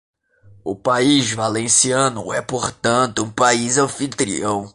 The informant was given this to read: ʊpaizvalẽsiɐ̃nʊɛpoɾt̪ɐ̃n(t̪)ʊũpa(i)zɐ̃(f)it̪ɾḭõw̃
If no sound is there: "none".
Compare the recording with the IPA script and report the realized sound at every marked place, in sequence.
t̪, i, f

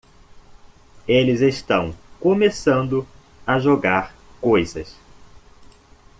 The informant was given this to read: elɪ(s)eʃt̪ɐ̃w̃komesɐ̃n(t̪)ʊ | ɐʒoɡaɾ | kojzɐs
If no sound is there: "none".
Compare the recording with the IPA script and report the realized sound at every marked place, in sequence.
z, d̪

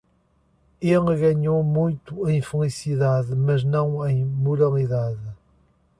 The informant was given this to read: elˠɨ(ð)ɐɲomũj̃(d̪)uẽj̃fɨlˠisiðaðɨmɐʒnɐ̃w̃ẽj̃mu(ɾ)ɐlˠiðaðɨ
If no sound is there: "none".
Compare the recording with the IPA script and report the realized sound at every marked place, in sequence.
ɣ, t̪, ɾ

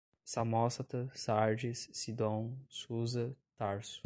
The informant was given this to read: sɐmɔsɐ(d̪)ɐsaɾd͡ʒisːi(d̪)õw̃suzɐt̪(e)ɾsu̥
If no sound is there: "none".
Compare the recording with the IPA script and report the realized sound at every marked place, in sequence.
t̪, d̪, a

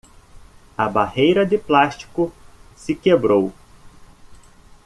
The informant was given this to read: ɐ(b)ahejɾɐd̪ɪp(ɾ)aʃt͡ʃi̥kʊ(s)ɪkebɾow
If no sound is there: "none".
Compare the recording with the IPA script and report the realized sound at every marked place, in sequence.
b, l, s

